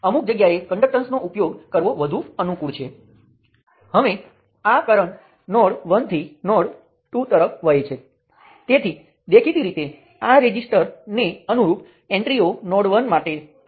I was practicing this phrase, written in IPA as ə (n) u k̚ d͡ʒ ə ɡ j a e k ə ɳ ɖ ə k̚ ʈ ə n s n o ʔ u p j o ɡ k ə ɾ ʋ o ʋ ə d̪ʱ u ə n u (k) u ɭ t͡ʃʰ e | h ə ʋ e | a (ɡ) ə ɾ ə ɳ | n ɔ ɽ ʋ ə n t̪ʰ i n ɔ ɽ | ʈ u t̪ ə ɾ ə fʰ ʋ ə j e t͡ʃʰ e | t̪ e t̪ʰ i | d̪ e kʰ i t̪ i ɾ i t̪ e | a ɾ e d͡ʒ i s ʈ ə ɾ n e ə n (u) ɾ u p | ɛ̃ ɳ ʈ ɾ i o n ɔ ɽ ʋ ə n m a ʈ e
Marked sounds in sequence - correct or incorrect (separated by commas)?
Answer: incorrect, correct, incorrect, correct